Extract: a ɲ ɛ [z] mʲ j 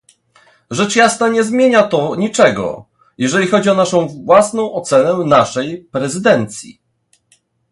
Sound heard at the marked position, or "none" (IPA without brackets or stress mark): z